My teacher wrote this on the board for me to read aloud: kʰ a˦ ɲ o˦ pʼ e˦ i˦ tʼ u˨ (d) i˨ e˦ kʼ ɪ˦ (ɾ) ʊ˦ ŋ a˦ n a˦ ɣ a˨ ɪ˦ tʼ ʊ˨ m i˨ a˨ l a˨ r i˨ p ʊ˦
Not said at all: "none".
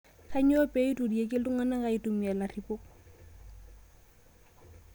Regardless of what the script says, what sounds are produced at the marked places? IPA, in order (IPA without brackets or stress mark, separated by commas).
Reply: d, l